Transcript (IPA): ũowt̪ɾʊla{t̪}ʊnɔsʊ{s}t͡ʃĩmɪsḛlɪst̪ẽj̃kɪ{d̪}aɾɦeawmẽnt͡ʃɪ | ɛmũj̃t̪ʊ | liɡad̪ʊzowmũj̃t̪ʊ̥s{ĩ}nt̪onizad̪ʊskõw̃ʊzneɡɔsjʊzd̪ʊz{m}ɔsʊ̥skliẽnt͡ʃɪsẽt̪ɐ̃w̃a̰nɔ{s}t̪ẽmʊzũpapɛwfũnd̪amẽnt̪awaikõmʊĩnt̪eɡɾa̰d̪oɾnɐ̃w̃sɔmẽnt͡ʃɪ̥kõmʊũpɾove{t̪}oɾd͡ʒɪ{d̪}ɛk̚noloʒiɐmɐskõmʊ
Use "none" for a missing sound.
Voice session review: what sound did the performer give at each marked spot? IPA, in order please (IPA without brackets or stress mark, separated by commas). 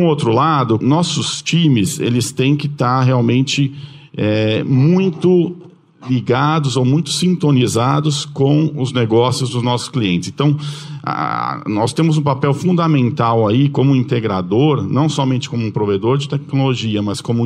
d̪, s, t̪, ĩ, n, s, d̪, t̪